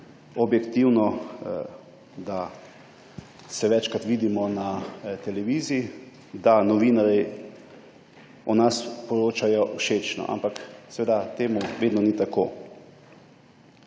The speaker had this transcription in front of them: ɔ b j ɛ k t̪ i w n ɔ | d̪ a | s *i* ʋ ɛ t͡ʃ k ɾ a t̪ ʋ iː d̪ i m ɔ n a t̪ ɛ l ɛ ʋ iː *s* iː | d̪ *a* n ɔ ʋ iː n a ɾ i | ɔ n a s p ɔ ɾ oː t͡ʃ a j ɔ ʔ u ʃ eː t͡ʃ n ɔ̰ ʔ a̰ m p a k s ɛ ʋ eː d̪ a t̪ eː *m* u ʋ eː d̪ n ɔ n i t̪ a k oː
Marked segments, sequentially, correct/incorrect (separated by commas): incorrect, incorrect, correct, correct